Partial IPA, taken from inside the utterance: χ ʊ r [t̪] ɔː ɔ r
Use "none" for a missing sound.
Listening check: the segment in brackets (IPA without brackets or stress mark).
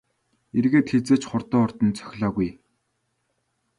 t̪